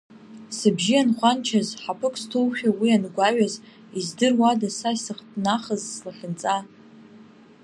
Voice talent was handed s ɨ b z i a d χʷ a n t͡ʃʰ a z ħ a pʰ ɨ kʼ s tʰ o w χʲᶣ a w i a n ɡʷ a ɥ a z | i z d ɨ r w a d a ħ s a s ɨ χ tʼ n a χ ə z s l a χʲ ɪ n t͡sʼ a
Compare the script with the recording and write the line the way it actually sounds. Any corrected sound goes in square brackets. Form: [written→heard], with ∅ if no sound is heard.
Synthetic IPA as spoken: s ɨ b [z→ʒ] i a [d→n] χʷ a n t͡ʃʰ a z ħ a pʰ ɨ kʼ s tʰ o w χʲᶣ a w i a n ɡʷ a ɥ a z | i z d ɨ r w a d a [ħ→∅] s a s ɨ χ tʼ n a χ ə z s l a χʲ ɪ n t͡sʼ a